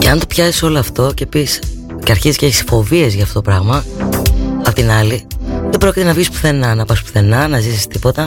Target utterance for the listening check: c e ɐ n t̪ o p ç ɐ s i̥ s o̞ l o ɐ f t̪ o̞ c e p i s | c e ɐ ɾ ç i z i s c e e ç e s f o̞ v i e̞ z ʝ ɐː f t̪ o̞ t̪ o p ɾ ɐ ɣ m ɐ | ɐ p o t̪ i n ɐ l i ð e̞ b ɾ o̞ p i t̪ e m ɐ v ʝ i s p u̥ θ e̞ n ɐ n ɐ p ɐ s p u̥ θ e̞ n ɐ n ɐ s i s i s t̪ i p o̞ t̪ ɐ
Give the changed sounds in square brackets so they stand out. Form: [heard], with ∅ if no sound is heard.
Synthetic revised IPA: c e ɐ n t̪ o p ç ɐ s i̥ s o̞ l o ɐ f t̪ o̞ c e p i s | c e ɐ ɾ ç i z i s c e e ç [i] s f o̞ v i e̞ z ʝ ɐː f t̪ o̞ t̪ o p ɾ ɐ ɣ m ɐ | ɐ p o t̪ i n ɐ l i ð e̞ b ɾ o̞ [c] i t̪ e [n] ɐ v ʝ i s p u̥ θ e̞ n ɐ n ɐ p ɐ s p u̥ θ e̞ n ɐ n ɐ [z] i s i s t̪ i p o̞ t̪ ɐ